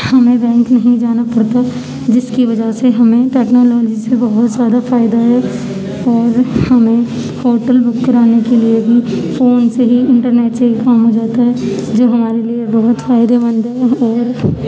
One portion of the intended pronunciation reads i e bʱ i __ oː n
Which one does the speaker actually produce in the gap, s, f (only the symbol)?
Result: f